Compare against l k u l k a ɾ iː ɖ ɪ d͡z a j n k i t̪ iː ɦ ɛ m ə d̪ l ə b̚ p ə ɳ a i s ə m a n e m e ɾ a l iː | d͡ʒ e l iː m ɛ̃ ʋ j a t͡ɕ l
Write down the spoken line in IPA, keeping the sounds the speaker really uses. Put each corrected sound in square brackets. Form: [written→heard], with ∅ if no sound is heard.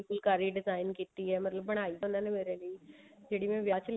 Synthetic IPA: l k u l k a ɾ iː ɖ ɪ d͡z a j n k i t̪ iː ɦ ɛ m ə [d̪→t̪] l ə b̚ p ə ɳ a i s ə [m→n] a n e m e ɾ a l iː | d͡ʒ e [l→ɽ] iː m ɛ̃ ʋ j a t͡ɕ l